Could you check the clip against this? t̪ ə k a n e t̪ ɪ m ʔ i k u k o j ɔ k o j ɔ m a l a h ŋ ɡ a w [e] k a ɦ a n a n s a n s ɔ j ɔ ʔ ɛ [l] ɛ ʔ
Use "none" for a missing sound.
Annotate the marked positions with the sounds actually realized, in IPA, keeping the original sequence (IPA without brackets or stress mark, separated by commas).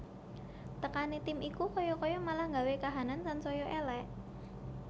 e, l